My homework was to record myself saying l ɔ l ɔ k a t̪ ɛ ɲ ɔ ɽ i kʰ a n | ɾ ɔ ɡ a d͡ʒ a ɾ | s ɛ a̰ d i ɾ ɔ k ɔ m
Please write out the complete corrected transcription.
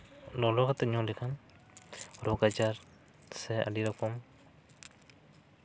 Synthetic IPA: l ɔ l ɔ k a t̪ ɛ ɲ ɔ l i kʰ a n | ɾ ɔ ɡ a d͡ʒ a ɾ | s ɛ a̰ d i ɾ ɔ k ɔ m